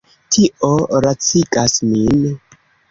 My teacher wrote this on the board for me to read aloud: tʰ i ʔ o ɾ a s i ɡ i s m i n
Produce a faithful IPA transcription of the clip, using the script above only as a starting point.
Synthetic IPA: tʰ i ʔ o ɾ a t͡s i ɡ a s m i n